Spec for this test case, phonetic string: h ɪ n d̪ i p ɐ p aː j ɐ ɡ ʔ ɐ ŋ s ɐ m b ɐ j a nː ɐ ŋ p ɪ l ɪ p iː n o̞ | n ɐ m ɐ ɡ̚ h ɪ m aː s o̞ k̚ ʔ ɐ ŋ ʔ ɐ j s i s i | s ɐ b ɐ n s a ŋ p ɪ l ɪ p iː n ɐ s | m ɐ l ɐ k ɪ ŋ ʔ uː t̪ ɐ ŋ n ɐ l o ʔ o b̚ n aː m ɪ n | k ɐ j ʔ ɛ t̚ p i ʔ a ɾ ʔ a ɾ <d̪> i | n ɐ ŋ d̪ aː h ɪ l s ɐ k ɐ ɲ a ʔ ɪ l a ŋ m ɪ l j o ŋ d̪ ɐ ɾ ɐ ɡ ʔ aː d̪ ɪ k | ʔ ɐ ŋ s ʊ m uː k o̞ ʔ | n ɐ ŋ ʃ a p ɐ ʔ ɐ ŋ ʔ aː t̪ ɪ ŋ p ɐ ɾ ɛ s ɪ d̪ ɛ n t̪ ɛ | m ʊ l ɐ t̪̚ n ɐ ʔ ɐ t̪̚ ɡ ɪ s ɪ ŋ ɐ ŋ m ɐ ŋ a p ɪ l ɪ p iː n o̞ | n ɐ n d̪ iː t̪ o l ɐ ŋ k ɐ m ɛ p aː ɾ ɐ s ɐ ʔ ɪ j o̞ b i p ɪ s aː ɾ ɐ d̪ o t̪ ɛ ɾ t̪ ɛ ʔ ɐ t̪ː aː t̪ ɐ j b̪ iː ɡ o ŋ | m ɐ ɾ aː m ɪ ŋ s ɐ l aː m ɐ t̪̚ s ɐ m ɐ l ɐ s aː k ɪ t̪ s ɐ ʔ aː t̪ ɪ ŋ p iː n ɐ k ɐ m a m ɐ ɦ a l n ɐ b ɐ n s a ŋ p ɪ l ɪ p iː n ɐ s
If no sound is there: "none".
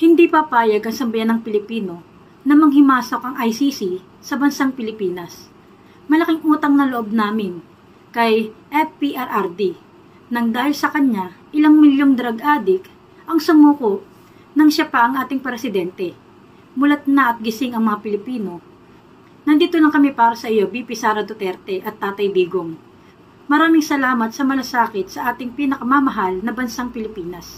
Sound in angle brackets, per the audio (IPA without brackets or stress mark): d̪